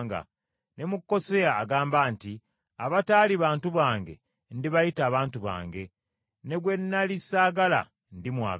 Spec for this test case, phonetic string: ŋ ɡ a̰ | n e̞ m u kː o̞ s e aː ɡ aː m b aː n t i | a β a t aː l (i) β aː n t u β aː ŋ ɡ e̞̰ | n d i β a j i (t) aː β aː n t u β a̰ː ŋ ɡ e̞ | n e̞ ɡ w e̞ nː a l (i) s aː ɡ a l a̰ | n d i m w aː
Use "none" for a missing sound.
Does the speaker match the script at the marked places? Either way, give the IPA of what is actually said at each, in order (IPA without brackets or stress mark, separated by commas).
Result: i, t, i